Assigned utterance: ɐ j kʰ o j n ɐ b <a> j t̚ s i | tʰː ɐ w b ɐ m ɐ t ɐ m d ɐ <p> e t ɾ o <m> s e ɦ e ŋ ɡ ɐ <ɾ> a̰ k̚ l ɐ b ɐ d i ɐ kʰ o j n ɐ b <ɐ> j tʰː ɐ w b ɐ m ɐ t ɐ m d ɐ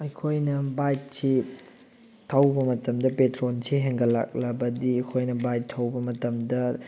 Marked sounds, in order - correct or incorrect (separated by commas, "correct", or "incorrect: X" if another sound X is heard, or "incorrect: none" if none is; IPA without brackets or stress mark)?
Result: correct, correct, incorrect: n, incorrect: l, incorrect: a